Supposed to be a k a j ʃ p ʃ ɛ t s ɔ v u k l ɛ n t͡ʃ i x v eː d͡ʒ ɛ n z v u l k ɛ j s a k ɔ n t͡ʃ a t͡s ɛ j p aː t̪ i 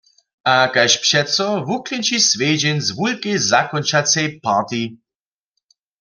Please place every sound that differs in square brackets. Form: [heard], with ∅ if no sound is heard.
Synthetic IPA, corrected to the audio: a k a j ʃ p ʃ ɛ t s ɔ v u k l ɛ n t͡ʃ i [s] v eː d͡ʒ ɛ n z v u l k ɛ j [z] a k ɔ n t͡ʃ a t͡s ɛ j p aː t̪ i